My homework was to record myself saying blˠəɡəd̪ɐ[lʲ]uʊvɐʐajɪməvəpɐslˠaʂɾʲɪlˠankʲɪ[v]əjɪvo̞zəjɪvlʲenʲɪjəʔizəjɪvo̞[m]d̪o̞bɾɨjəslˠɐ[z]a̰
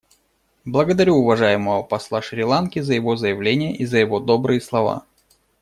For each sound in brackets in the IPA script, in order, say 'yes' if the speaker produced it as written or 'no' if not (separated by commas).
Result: no, no, no, no